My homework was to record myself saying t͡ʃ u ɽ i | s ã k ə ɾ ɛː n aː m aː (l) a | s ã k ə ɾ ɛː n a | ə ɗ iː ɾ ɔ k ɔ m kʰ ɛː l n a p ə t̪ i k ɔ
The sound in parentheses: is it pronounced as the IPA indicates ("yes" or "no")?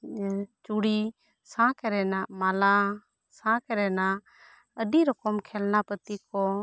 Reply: yes